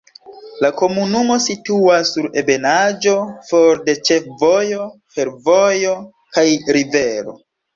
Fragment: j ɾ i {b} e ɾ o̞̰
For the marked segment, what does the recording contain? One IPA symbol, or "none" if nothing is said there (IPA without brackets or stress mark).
v